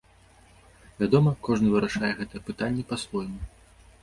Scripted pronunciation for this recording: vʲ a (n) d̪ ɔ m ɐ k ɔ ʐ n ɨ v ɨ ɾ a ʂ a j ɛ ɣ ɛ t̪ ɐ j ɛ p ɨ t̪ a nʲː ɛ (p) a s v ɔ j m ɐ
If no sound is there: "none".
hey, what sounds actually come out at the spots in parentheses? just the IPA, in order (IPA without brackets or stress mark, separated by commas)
none, p